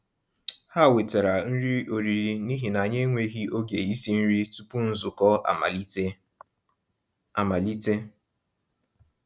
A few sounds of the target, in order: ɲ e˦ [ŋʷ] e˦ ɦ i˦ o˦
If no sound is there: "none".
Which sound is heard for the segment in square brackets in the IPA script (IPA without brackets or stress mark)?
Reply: ŋʷ